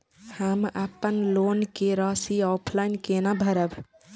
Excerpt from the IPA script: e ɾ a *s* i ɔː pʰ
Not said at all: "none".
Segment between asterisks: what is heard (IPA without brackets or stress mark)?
s